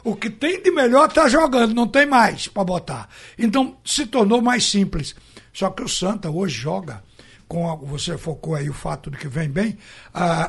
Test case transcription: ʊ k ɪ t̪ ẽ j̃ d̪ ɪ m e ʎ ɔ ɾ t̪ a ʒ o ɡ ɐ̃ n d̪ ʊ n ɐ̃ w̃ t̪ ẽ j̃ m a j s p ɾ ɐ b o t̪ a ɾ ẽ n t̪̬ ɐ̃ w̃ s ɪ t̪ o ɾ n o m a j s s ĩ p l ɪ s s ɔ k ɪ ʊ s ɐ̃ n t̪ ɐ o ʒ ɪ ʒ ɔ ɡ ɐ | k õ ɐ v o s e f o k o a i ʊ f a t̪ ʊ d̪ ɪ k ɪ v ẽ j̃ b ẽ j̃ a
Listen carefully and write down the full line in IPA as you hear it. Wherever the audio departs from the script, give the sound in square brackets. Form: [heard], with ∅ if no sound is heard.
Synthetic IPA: ʊ k ɪ t̪ ẽ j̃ d̪ ɪ m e ʎ ɔ ɾ t̪ a ʒ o ɡ ɐ̃ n d̪ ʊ n ɐ̃ w̃ t̪ ẽ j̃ m a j s p ɾ ɐ b o t̪ a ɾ ẽ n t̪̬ ɐ̃ w̃ s ɪ t̪ o ɾ n o m a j s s ĩ p l ɪ s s ɔ k ɪ ʊ s ɐ̃ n t̪ ɐ o ʒ ɪ ʒ ɔ ɡ ɐ | k õ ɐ v o s e f o k o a i ʊ f a t̪ ʊ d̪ ɪ k ɪ v ẽ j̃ b ẽ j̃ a